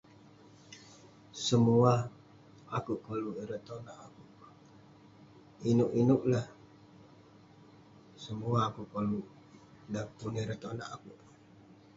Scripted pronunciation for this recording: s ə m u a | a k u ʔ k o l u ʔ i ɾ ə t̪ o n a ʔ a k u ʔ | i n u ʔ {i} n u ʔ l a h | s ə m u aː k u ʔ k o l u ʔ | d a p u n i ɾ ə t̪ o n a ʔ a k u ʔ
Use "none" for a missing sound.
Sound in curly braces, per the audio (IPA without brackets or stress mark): i